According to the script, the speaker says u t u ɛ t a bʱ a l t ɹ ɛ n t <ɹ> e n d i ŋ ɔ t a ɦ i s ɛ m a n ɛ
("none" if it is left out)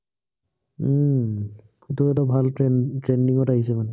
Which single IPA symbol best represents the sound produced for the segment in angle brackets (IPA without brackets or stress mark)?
ɹ